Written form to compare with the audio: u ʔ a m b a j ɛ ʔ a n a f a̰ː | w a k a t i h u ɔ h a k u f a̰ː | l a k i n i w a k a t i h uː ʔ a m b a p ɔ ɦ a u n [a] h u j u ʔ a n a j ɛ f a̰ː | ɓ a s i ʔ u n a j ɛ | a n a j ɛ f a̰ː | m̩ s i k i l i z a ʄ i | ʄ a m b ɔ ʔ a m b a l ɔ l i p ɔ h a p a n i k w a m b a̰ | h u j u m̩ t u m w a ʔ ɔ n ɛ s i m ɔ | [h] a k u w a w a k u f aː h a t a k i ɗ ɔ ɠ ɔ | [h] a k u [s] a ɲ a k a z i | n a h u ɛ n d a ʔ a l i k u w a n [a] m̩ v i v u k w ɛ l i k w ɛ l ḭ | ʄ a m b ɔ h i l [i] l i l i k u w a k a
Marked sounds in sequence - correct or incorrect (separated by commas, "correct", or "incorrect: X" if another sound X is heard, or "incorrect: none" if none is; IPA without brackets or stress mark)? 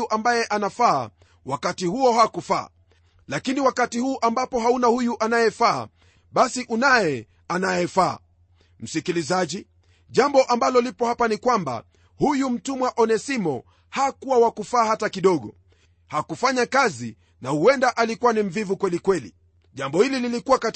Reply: correct, correct, correct, incorrect: f, incorrect: i, correct